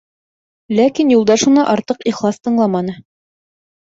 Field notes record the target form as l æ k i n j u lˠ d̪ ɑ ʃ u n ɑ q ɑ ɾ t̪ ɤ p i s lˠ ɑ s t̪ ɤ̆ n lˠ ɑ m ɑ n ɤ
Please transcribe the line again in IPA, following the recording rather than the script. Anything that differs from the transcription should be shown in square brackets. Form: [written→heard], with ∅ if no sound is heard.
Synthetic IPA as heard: l æ k i n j u lˠ d̪ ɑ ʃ u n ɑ [q→ʔ] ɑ ɾ t̪ ɤ [p→q] i [s→χ] lˠ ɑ s t̪ ɤ̆ [n→ɴ] lˠ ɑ m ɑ n ɤ